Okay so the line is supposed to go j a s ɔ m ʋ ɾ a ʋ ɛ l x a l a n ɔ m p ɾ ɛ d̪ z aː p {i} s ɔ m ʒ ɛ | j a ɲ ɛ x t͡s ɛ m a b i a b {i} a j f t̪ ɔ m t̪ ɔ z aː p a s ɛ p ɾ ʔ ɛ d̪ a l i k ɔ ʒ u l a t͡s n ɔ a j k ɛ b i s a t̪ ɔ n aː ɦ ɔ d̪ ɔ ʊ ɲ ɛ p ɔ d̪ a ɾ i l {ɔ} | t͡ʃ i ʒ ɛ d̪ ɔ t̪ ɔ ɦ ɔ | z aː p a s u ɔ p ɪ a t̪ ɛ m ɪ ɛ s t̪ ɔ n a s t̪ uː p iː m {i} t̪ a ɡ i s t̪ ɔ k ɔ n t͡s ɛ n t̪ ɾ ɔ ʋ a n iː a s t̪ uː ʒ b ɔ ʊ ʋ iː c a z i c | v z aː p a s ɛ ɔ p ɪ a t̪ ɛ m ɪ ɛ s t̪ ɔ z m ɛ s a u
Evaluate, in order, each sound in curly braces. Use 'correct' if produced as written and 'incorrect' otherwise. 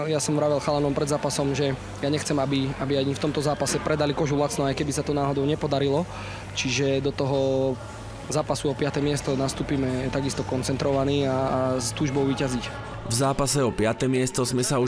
incorrect: a, correct, correct, incorrect: ɛ

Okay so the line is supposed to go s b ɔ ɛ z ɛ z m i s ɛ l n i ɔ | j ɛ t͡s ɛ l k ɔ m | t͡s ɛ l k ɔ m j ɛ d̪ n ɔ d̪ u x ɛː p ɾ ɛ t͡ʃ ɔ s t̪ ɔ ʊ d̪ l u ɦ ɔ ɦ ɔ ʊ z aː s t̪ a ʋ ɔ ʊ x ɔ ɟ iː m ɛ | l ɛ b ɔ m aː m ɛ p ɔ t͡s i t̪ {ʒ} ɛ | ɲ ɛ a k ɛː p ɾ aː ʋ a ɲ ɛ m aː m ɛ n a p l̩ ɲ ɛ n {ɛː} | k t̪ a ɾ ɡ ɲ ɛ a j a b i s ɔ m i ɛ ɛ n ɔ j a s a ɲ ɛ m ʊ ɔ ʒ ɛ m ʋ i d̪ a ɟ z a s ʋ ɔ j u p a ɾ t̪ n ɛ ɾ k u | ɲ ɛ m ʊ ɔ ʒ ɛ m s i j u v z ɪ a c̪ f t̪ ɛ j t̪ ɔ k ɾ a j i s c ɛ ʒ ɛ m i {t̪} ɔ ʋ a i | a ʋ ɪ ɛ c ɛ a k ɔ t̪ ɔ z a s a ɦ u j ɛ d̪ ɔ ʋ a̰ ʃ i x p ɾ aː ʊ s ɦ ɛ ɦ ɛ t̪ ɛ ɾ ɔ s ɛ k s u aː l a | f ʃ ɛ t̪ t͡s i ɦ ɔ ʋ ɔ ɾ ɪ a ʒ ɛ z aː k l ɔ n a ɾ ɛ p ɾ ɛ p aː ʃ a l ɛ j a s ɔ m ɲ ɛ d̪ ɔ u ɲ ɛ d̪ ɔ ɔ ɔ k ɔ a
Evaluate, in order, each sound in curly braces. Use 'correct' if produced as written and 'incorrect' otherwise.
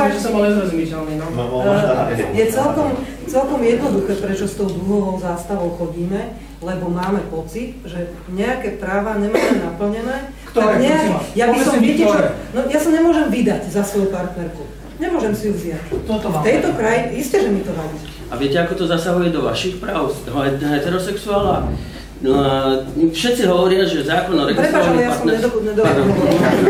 correct, correct, correct

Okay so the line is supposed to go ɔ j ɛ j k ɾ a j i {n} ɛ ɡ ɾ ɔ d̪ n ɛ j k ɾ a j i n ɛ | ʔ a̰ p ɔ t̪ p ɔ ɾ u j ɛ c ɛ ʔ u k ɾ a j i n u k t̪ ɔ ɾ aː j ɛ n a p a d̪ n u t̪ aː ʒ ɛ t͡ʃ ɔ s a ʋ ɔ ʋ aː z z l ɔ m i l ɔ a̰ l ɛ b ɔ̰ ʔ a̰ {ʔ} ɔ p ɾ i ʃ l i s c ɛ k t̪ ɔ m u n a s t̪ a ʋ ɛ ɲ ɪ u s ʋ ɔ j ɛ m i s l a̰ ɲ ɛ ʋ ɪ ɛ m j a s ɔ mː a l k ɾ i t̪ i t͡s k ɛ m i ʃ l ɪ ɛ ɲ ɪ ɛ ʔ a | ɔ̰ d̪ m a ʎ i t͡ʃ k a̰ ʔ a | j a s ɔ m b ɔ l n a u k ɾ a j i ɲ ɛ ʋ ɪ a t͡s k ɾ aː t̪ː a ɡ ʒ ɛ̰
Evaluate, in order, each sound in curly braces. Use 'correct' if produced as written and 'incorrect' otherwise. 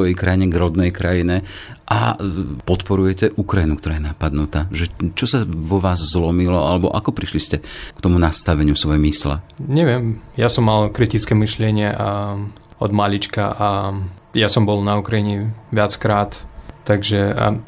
incorrect: ɲ, incorrect: k

